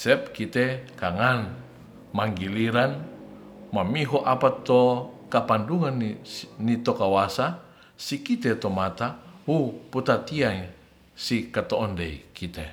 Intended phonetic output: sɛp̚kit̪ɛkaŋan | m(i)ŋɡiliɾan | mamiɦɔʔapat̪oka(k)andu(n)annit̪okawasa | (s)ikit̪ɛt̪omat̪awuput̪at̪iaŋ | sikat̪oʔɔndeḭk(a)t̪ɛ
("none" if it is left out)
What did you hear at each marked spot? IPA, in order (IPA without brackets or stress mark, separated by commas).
a, p, ŋ, s, i